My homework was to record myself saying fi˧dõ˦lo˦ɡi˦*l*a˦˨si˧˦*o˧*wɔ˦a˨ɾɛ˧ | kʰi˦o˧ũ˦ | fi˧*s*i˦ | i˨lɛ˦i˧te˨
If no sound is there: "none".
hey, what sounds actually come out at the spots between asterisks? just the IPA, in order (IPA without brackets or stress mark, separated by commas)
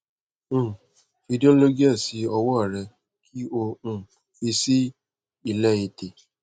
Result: none, ɔ˧, s